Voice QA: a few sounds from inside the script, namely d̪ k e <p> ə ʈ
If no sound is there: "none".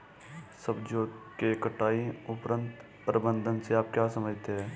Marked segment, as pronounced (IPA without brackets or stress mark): k